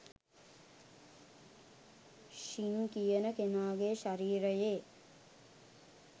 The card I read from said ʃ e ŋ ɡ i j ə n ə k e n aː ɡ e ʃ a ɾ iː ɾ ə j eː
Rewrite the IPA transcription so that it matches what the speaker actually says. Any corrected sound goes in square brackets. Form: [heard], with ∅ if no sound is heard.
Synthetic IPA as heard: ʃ [i] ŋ [k] i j ə n ə k e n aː ɡ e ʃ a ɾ iː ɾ ə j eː